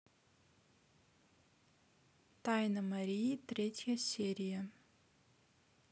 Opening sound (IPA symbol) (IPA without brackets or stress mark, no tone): t̪